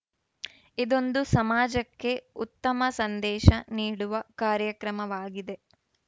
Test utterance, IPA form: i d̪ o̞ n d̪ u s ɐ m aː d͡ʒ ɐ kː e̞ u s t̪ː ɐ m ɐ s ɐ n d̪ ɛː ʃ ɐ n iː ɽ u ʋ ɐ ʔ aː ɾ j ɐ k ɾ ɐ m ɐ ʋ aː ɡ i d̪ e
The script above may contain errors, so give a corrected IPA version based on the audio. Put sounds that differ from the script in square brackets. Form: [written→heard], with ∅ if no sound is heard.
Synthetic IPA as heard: i d̪ o̞ n d̪ u s ɐ m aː d͡ʒ ɐ kː e̞ u [s→∅] t̪ː ɐ m ɐ s ɐ n d̪ ɛː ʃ ɐ n iː ɽ u ʋ ɐ [ʔ→k] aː ɾ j ɐ k ɾ ɐ m ɐ ʋ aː ɡ i d̪ e